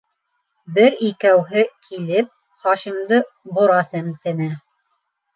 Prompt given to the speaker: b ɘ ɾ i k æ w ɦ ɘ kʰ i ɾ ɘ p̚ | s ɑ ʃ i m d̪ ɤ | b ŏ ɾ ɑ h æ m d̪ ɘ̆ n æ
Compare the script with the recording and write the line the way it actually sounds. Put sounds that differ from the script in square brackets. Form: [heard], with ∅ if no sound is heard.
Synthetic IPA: b ɘ ɾ i k æ w ɦ ɘ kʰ i [l] ɘ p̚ | [χ] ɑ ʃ i m d̪ ɤ | b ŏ ɾ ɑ [s] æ m [t̪] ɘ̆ n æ